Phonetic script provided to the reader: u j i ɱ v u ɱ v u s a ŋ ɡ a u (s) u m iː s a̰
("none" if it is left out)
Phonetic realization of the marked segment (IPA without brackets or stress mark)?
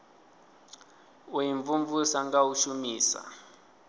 ʃ